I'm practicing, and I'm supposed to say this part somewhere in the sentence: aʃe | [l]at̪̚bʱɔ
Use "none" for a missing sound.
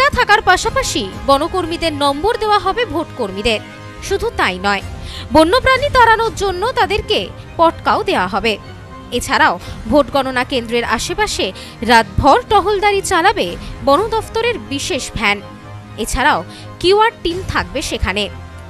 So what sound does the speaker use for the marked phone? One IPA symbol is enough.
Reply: ɾ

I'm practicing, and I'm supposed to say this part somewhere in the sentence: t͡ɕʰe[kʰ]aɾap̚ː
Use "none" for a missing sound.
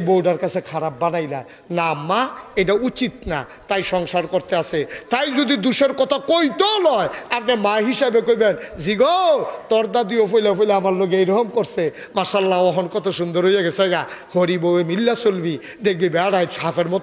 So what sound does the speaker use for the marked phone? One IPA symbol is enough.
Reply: kʰ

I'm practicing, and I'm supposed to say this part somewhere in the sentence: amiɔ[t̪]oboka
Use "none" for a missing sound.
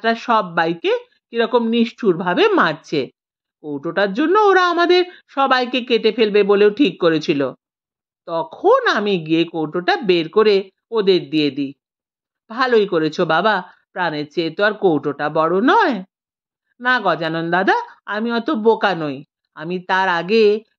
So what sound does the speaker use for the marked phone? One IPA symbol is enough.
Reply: t̪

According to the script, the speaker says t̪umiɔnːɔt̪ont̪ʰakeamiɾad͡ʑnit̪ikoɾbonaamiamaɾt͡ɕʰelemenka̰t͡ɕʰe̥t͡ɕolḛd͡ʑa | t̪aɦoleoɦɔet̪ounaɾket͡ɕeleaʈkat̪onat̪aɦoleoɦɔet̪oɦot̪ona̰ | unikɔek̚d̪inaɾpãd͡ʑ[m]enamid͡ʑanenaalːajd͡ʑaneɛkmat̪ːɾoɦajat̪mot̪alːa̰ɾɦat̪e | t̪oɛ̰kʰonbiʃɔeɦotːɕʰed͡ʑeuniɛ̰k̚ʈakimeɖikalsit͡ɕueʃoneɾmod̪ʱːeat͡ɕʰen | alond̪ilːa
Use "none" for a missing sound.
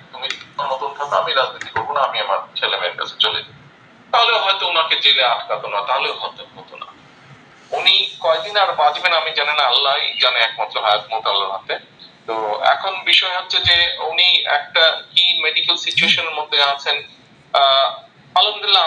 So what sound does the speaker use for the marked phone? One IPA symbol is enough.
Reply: b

